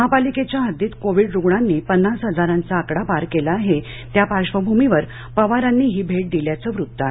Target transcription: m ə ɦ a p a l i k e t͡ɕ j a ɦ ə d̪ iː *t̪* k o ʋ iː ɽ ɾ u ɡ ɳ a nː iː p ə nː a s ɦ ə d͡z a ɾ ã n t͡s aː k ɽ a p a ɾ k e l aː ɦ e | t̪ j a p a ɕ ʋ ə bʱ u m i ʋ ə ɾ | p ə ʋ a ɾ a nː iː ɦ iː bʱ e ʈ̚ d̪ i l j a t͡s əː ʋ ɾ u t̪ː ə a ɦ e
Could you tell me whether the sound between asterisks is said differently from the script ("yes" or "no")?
no